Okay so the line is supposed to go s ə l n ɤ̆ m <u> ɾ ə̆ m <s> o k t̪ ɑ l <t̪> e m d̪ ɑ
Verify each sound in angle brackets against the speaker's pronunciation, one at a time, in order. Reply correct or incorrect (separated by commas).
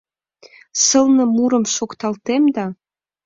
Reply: correct, incorrect, correct